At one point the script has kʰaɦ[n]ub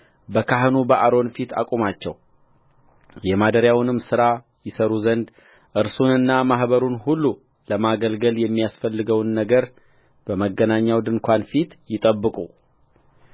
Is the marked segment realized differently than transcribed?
no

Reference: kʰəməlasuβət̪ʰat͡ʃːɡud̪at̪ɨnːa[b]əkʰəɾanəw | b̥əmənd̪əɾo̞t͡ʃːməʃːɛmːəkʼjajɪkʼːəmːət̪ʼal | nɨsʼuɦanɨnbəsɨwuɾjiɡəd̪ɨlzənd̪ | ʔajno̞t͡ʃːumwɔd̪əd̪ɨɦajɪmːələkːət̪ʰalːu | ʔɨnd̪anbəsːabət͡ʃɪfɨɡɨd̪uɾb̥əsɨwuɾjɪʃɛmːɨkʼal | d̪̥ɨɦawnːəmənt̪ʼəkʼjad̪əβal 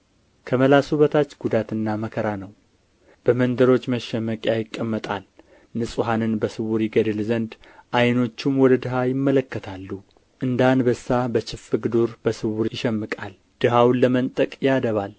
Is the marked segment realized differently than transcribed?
yes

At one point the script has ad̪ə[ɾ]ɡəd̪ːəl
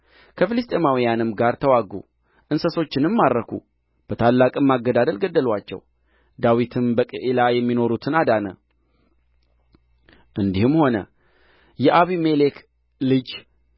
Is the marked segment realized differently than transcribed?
yes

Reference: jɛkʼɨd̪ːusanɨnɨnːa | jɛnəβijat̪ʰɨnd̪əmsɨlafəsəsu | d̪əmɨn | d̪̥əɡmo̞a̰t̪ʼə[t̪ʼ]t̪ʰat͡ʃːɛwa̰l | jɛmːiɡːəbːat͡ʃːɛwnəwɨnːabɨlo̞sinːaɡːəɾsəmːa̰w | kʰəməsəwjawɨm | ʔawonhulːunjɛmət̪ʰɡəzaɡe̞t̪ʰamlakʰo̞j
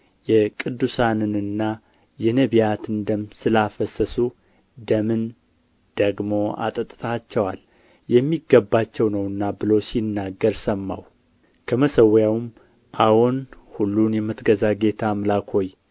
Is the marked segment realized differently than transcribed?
no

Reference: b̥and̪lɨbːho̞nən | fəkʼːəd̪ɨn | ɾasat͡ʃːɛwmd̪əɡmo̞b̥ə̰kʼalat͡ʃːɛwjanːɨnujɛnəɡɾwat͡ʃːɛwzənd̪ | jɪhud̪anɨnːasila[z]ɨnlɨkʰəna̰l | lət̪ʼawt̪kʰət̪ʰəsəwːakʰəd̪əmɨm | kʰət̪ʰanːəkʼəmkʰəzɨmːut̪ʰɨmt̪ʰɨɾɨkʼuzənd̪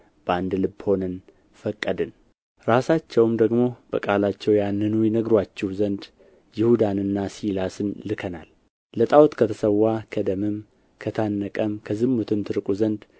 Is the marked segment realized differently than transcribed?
yes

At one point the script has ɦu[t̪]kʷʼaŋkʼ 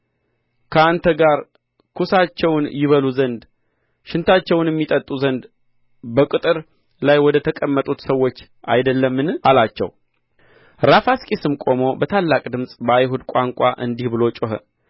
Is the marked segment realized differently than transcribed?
yes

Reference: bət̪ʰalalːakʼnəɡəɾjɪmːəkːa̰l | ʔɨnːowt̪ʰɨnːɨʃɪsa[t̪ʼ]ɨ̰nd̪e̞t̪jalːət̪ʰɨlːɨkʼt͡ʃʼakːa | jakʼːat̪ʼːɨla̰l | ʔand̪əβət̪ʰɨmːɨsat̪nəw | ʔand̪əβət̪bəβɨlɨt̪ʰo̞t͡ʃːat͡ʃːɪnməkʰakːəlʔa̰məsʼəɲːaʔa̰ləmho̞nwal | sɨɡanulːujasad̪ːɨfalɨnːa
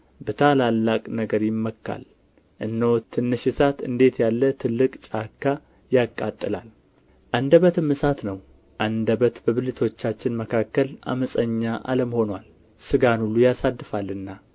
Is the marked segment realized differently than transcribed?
yes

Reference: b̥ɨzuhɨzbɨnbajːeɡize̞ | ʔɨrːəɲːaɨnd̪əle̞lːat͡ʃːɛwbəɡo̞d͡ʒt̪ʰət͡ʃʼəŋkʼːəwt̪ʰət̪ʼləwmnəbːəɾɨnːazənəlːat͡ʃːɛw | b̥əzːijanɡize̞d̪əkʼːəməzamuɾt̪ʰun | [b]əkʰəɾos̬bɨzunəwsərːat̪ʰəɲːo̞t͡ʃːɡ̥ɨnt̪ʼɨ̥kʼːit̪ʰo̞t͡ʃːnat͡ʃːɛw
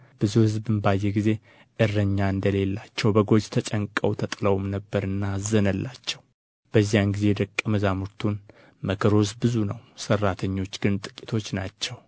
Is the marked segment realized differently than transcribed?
yes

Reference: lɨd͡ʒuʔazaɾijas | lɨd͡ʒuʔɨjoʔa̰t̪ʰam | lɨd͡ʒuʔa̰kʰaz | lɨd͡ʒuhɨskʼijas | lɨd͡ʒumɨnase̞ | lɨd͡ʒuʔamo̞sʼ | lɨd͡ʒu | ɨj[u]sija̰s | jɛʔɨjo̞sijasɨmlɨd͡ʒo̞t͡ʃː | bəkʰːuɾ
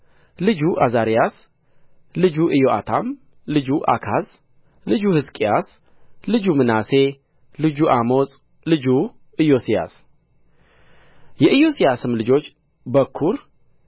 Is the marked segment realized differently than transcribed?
yes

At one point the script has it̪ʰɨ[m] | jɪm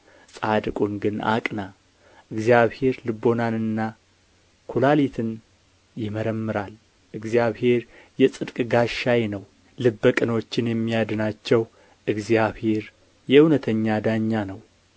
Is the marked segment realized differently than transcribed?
yes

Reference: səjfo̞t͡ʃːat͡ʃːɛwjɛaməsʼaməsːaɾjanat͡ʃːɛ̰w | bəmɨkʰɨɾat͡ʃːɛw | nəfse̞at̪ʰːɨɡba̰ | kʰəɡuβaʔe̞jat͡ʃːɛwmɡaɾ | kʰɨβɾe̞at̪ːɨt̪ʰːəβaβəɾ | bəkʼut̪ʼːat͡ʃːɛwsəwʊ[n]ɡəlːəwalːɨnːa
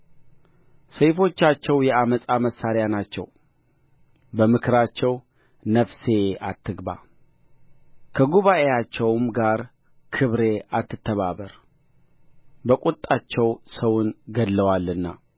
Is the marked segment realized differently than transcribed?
no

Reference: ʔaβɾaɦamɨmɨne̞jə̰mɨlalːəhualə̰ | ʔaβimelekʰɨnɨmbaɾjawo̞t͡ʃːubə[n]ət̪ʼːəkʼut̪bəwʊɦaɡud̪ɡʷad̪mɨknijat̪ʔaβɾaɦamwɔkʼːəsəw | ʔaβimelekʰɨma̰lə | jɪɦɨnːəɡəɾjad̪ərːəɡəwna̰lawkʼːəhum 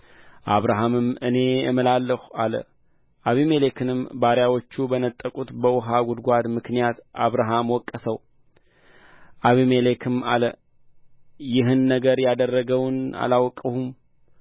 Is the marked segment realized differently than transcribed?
no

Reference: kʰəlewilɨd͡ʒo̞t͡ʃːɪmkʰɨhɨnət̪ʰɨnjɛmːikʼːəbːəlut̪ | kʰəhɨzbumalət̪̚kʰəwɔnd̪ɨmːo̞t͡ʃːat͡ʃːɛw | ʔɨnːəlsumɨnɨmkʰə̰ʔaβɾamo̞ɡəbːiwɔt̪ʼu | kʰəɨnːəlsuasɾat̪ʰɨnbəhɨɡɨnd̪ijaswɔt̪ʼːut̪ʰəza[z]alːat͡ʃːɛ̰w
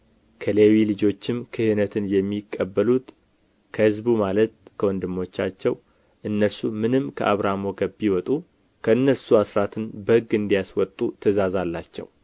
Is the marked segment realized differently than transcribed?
no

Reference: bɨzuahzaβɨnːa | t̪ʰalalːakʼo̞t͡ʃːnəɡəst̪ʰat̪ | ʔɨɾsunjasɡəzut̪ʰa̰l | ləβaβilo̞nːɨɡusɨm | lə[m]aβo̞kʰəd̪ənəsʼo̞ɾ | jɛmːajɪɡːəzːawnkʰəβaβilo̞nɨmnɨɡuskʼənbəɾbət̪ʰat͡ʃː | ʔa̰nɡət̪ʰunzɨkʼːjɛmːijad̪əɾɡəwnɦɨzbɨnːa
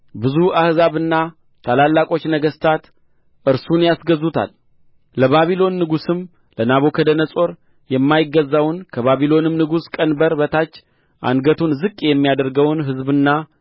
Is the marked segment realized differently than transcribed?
yes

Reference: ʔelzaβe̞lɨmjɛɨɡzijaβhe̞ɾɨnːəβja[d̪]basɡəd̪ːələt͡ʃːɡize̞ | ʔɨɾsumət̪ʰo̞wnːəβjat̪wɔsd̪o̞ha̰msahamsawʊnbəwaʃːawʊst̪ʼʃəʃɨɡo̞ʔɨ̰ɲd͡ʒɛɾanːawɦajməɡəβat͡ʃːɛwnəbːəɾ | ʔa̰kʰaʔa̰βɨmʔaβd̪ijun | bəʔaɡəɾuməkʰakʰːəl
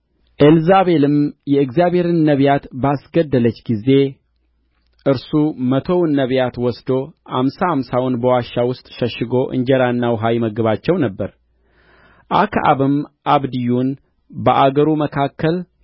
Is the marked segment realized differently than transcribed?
yes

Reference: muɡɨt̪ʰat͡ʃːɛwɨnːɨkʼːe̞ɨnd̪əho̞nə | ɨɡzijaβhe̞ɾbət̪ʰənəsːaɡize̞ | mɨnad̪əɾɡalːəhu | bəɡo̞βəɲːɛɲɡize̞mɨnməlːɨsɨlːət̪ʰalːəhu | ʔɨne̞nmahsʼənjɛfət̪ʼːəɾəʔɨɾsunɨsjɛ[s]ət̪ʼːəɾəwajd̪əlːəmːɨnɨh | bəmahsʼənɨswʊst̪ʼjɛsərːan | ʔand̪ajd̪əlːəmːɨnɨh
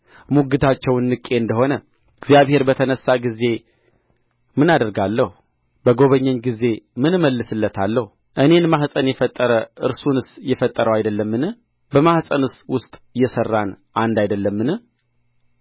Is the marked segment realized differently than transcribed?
yes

